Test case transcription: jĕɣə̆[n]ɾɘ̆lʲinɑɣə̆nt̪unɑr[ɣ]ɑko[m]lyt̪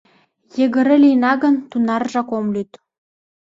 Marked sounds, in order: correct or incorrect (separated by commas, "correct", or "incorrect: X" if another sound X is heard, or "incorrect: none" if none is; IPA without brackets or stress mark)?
incorrect: none, incorrect: ʒ, correct